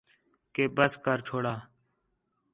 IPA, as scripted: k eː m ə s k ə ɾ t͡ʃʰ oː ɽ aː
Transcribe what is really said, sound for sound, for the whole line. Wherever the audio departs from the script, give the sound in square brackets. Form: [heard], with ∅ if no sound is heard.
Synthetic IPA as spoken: k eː [b] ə s k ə ɾ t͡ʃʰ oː ɽ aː

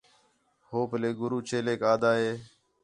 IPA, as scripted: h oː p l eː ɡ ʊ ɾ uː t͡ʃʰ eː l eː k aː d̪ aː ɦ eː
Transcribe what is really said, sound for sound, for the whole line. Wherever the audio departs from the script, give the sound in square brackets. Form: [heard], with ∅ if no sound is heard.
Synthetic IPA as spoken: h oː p l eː ɡ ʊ ɾ uː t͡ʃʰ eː l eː k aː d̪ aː ɦ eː

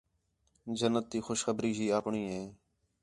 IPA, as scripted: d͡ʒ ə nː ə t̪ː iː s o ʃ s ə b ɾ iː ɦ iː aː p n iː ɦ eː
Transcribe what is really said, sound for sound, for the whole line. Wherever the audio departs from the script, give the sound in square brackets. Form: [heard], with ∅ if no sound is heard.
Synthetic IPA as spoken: d͡ʒ ə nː ə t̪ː iː [x] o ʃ [x] ə b ɾ iː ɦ iː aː p [ɳ] iː ɦ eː

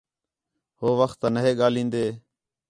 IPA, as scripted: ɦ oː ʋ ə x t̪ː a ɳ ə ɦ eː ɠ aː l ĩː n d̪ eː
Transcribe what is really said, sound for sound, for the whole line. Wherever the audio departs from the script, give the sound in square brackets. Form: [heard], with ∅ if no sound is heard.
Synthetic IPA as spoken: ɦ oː ʋ ə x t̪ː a [n] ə ɦ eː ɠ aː l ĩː n d̪ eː

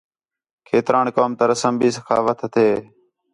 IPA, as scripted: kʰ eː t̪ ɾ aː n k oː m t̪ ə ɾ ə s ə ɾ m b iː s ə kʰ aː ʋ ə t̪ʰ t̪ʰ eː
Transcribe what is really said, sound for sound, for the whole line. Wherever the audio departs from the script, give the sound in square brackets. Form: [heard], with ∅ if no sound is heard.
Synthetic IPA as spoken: kʰ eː t̪ ɾ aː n k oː m t̪ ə ɾ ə s ə [∅] m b iː s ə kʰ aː ʋ ə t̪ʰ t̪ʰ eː

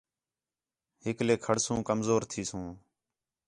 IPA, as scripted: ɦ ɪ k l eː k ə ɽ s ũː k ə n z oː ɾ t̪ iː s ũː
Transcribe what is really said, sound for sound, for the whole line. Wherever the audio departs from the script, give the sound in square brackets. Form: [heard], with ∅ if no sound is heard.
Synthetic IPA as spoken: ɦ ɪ k l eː [kʰ] ə ɽ s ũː k ə [m] z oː ɾ [t̪ʰ] iː s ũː

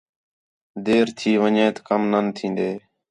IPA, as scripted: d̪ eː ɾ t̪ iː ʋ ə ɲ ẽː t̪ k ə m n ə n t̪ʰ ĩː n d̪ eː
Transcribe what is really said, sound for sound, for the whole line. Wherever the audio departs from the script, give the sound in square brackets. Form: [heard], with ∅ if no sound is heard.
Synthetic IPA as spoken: d̪ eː ɾ [t̪ʰ] iː ʋ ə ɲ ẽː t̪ k ə m n ə n t̪ʰ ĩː n d̪ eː

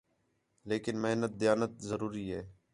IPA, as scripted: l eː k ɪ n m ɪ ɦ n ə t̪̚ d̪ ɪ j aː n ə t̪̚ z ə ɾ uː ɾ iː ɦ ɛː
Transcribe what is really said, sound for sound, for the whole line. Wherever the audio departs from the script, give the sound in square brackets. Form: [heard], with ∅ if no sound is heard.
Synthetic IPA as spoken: l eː k ɪ n m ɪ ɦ n ə t̪̚ d̪ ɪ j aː n ə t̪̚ z ə ɾ uː ɾ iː ɦ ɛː

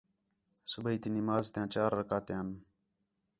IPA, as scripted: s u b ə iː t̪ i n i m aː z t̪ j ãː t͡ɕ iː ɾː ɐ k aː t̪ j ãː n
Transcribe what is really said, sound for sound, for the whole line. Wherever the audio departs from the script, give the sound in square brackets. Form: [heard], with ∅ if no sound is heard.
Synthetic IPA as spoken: s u b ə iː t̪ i n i m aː z t̪ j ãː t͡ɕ [aː] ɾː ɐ k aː t̪ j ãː n

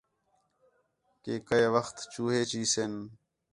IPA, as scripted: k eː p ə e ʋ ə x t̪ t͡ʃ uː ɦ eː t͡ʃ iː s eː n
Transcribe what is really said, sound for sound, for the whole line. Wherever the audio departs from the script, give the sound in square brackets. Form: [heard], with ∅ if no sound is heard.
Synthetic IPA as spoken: k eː [k] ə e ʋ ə x t̪ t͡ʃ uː ɦ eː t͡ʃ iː s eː n

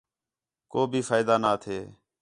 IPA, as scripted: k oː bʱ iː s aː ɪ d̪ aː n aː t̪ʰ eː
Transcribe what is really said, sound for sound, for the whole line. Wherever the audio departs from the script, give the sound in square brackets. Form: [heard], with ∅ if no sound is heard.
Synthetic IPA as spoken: k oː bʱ iː [f] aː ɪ d̪ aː n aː t̪ʰ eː

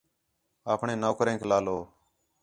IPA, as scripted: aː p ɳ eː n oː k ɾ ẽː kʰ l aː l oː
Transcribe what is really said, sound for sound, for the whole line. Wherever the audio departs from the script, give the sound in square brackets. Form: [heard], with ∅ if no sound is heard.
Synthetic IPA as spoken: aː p ɳ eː n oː k ɾ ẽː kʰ l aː l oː

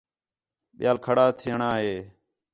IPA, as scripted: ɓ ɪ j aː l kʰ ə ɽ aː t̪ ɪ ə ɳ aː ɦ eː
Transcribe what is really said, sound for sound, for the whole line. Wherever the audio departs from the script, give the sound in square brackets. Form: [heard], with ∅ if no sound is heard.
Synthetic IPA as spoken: ɓ ɪ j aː l kʰ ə ɽ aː [t̪ʰ] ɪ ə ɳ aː ɦ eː

